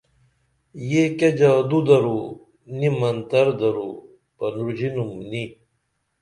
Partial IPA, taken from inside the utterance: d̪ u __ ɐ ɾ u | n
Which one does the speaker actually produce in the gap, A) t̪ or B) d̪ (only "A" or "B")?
B